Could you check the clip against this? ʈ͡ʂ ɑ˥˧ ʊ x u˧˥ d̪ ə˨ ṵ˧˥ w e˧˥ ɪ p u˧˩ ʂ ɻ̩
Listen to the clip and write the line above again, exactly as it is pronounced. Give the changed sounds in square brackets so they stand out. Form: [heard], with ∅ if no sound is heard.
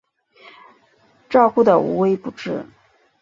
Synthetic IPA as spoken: ʈ͡ʂ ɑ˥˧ ʊ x [u˥˩] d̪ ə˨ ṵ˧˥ w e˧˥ ɪ p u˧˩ [ʈ͡ʂ] ɻ̩